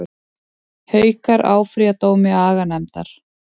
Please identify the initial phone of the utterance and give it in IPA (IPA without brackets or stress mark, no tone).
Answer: h